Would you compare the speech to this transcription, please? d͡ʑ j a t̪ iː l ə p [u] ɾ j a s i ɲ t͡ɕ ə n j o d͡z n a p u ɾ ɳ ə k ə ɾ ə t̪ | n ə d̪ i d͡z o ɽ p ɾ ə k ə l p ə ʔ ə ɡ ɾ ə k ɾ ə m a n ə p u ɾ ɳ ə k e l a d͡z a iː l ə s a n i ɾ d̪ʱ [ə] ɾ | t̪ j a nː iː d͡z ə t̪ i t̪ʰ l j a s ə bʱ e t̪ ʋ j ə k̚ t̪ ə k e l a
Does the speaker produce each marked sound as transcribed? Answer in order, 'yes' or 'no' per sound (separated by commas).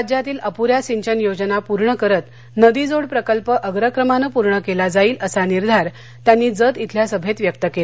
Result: yes, no